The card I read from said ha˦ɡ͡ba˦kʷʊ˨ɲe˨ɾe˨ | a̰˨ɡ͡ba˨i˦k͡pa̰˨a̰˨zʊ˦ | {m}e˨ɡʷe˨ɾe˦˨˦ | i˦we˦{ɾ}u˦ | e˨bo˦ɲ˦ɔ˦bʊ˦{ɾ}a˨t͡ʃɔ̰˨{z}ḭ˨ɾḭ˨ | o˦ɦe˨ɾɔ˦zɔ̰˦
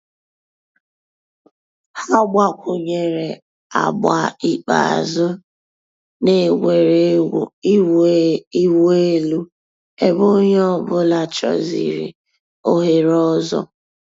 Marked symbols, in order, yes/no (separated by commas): no, no, no, yes